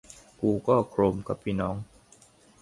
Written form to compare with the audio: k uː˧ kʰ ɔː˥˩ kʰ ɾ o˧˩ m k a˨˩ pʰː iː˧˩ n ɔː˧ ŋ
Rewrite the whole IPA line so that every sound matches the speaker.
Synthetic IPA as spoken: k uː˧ k ɔː˥˩ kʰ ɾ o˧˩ m k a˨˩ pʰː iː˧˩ n ɔː˦˥ ŋ

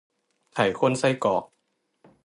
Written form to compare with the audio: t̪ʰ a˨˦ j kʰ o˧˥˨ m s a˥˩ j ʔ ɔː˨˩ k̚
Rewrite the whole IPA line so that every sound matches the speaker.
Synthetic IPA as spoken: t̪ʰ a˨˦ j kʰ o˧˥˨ n s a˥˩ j k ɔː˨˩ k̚

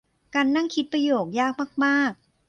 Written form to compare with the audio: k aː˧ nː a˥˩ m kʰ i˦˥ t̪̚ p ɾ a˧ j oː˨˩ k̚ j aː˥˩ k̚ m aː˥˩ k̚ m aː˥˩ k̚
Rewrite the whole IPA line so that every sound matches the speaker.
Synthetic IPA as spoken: k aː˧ nː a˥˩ ŋ kʰ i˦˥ t̪̚ p ɾ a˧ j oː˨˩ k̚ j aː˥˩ k̚ m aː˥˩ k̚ m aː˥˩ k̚

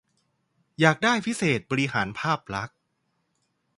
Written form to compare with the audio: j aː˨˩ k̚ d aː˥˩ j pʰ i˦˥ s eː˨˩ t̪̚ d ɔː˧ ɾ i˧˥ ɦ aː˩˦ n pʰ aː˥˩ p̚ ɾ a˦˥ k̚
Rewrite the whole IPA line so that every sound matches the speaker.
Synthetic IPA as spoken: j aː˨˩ k̚ d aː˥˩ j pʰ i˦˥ s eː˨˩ t̪̚ b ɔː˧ ɾ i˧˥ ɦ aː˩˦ n pʰ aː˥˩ p̚ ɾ a˦˥ k̚

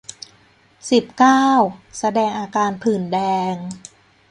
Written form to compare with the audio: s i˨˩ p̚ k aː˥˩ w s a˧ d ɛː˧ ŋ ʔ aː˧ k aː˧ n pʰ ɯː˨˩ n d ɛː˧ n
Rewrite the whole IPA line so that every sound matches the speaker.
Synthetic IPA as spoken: s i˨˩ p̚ k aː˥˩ w s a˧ d ɛː˧ ŋ ʔ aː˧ k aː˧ n pʰ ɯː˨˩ n d ɛː˧ ŋ

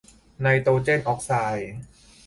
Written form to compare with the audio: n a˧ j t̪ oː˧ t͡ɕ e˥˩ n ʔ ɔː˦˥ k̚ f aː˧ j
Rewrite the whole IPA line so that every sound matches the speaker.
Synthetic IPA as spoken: n a˧ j t̪ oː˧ t͡ɕ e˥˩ n ʔ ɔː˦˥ k̚ s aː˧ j

